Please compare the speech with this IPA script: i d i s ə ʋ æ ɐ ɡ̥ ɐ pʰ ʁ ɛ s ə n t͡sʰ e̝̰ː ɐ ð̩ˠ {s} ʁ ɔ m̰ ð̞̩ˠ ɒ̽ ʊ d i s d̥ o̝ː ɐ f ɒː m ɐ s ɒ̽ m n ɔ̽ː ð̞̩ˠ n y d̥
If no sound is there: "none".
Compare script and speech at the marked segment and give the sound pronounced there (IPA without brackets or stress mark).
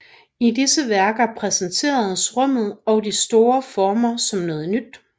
s